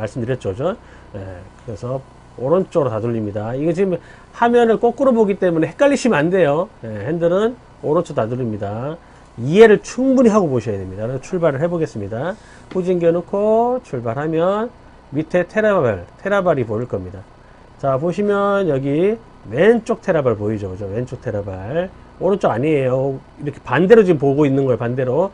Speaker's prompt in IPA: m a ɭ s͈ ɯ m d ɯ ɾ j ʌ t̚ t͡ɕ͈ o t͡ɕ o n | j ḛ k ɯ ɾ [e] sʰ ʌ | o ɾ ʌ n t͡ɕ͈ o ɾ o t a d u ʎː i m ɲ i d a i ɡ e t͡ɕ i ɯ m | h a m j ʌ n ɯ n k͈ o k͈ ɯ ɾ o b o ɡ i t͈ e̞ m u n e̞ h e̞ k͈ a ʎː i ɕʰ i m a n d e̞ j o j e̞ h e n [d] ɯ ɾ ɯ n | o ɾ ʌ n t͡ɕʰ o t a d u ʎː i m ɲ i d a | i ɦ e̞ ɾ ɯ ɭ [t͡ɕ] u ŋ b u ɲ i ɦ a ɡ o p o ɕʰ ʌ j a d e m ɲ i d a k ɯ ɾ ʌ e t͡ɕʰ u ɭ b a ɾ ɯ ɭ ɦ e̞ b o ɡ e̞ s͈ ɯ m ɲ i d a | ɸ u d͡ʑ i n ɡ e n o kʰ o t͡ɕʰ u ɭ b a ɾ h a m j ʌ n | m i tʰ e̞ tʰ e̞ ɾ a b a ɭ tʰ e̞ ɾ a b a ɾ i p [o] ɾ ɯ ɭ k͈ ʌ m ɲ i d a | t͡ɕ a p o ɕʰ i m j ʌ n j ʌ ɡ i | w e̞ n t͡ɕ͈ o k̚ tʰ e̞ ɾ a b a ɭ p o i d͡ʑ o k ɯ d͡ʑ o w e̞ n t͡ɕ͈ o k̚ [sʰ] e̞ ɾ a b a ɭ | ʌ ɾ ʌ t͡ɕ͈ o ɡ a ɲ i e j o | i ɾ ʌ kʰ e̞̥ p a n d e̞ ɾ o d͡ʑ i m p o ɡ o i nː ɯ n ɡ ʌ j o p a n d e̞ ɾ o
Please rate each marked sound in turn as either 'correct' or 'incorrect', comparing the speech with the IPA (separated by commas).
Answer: correct, correct, incorrect, correct, incorrect